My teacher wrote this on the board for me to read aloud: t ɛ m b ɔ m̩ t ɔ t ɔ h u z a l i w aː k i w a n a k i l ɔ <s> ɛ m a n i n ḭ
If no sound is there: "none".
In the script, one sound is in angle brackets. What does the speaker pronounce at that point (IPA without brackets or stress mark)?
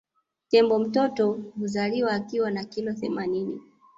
θ